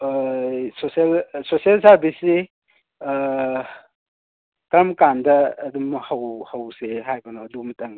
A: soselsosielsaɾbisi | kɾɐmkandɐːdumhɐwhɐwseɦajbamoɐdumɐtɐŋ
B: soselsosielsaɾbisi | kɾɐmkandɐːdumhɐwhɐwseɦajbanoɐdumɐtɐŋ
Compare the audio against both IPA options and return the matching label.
B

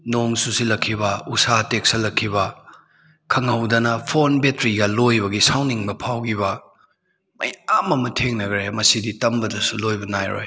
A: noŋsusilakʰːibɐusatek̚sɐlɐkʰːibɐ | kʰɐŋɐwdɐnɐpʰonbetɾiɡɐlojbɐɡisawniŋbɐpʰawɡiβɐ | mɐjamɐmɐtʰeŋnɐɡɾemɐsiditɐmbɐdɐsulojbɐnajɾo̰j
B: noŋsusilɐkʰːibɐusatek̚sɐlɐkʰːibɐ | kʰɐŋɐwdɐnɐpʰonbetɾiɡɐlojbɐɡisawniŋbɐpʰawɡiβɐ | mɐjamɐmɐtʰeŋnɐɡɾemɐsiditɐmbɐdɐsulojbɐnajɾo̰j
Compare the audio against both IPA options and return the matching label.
B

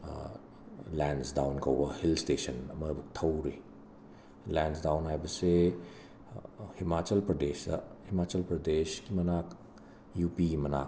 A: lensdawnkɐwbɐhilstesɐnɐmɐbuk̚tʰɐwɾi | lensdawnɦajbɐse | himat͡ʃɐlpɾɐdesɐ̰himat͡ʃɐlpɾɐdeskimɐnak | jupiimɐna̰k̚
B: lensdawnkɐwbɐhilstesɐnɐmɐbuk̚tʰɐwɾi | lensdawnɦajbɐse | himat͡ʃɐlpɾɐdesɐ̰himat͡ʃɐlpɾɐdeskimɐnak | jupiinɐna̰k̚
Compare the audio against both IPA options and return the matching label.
A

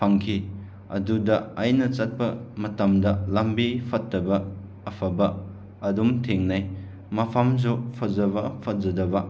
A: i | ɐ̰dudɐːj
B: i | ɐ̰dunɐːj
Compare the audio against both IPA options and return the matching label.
A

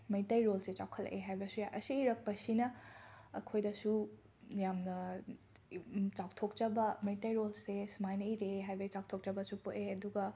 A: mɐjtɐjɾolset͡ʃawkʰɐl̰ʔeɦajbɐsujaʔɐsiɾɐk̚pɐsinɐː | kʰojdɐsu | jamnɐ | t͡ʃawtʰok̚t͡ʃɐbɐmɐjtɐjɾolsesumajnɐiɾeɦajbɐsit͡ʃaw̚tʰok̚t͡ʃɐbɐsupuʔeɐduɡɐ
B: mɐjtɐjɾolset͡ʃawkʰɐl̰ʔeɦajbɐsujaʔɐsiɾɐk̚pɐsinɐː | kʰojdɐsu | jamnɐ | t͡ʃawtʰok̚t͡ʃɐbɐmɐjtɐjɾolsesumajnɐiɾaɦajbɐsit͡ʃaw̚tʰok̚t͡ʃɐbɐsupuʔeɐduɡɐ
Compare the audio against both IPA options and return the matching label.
A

